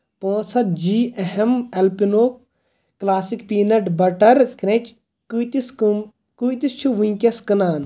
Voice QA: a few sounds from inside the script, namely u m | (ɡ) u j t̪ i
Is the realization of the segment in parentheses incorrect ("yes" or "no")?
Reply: yes